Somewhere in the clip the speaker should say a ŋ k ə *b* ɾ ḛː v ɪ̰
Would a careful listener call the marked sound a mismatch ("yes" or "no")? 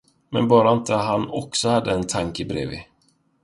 no